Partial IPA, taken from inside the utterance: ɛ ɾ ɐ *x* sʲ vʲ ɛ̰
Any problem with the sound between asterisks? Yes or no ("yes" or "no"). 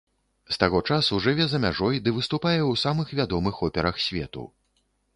no